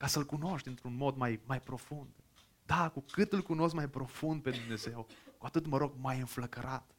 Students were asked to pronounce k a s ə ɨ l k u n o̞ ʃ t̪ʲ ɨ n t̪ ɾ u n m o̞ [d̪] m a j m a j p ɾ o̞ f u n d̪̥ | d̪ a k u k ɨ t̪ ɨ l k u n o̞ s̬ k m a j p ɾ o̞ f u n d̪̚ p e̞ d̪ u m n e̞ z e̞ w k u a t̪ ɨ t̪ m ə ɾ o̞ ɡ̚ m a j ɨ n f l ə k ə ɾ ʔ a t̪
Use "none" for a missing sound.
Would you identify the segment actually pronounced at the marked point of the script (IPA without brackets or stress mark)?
d̪